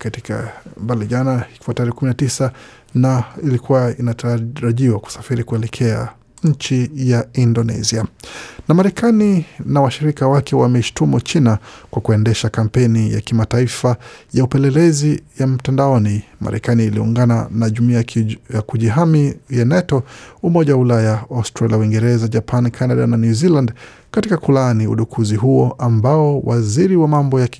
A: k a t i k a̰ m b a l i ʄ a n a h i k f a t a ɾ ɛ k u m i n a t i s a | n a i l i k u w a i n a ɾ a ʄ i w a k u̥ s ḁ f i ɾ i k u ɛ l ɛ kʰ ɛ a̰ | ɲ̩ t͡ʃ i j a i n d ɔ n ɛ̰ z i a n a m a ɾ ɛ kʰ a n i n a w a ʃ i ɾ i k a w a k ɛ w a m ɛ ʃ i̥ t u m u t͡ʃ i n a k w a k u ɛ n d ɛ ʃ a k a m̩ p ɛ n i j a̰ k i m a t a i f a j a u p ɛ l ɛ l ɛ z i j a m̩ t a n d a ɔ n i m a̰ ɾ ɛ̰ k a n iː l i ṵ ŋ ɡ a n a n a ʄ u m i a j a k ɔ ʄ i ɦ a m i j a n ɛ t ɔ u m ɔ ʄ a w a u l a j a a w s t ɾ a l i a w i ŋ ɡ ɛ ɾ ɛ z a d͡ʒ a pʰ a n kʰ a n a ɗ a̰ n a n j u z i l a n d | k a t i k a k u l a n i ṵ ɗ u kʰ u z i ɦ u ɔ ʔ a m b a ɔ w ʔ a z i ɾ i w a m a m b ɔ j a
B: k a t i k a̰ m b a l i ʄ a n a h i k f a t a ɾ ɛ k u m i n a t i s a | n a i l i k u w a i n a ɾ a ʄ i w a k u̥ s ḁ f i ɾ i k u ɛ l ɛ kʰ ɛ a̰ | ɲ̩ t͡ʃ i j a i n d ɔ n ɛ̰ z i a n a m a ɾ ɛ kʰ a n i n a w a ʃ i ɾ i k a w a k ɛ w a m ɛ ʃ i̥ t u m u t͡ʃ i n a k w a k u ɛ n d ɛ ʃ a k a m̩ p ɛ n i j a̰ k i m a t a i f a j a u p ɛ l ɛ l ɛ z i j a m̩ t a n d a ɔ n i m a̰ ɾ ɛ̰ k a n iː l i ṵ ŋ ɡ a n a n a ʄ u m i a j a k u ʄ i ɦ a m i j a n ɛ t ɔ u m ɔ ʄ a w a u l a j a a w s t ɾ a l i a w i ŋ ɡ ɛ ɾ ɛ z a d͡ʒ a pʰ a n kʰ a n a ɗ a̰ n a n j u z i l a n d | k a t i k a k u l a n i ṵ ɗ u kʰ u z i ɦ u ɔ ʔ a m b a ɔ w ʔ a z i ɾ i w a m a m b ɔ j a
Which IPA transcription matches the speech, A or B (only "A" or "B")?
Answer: B